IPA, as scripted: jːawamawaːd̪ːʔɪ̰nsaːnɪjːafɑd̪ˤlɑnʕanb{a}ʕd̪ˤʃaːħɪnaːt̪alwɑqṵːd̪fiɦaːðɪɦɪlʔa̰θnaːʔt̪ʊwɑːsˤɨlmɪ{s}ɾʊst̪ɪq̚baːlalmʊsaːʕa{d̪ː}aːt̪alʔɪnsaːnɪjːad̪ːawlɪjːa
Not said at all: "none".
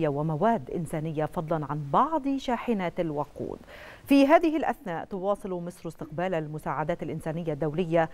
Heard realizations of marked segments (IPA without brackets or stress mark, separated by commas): ɑ, s, d̪